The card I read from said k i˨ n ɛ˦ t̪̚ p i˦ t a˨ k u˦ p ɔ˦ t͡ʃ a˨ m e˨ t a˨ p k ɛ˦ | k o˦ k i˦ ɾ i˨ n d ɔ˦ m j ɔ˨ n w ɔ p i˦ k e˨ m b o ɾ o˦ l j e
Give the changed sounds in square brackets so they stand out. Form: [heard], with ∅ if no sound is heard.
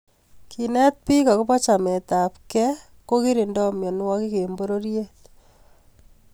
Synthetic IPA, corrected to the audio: k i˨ n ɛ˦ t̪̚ p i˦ [k] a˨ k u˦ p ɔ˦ t͡ʃ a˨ m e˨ t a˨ p k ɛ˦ | k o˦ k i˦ ɾ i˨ n d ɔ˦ m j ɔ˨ n w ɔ [k] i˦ k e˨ m b o ɾ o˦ [ɾ] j e